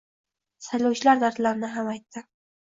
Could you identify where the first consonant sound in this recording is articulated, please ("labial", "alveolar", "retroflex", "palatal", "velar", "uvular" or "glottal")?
alveolar